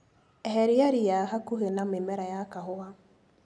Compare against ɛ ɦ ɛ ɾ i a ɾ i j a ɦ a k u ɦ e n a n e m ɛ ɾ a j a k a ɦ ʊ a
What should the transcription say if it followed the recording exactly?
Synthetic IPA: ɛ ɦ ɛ ɾ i a ɾ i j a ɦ a k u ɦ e n a m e m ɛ ɾ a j a k a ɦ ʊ a